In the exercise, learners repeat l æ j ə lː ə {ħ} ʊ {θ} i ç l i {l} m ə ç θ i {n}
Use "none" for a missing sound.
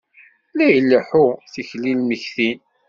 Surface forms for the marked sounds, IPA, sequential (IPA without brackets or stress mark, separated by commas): ħ, θ, l, n